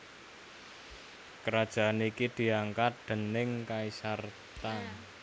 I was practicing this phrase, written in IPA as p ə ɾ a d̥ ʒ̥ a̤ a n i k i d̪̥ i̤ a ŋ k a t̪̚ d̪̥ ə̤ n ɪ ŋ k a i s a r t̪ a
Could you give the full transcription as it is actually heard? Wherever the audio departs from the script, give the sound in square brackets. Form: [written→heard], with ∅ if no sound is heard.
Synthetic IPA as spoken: [p→k] ə ɾ a d̥ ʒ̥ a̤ a n i k i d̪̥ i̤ a ŋ k a t̪̚ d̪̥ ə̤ n ɪ ŋ k a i s a r t̪ a